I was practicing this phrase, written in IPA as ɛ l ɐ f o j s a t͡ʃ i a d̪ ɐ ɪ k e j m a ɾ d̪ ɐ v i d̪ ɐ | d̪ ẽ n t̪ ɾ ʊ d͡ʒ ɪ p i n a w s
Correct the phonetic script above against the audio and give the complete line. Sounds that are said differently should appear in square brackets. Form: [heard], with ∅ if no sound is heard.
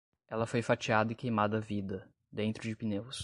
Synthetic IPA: ɛ l ɐ f o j [f] a t͡ʃ i a d̪ ɐ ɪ k e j m a [∅] d̪ ɐ v i d̪ ɐ | d̪ ẽ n t̪ ɾ ʊ d͡ʒ ɪ p i n [e] w s